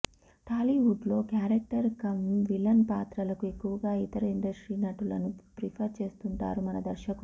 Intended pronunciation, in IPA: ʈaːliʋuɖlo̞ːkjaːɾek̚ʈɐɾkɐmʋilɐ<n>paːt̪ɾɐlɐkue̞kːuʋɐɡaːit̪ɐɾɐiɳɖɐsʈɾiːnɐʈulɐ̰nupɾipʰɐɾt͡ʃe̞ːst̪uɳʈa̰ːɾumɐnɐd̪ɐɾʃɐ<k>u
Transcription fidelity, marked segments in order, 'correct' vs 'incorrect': correct, correct

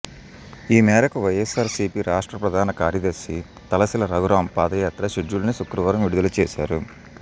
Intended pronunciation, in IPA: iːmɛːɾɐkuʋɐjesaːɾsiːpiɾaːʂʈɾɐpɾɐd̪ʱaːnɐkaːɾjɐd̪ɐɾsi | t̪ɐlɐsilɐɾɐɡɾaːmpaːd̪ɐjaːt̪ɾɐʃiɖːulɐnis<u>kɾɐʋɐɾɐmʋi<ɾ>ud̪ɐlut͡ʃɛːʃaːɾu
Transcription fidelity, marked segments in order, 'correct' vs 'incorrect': correct, incorrect

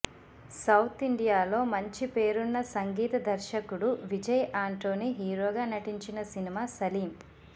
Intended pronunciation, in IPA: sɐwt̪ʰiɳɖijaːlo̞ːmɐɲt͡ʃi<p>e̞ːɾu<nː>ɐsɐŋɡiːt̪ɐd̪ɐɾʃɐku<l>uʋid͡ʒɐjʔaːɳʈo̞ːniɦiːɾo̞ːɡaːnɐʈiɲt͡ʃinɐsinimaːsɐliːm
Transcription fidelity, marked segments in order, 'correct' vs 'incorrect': correct, correct, incorrect

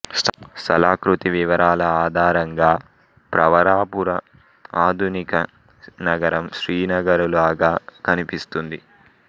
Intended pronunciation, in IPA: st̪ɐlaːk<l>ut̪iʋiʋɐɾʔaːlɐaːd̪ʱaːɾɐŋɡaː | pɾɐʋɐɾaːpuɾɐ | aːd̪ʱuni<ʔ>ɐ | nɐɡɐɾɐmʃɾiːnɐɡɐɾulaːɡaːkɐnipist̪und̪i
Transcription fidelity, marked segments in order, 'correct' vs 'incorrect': incorrect, incorrect

